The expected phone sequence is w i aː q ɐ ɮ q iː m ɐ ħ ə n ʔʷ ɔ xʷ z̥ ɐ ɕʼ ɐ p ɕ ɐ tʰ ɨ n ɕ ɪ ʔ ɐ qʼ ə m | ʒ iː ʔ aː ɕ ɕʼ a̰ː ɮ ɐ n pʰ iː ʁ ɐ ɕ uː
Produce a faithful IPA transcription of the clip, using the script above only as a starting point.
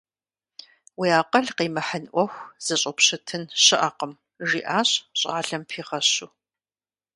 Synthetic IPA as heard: w i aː q ɐ ɮ q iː m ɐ ħ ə n ʔʷ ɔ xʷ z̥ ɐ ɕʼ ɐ p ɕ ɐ tʰ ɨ n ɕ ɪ ʔ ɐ q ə m | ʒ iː ʔ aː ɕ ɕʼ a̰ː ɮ ɐ m pʰ iː ʁ ɐ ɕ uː